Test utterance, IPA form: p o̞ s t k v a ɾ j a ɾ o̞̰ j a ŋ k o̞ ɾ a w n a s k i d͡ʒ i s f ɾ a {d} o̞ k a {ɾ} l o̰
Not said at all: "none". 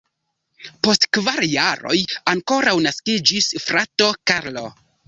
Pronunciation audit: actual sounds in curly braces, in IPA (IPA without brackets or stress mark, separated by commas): t, ɾ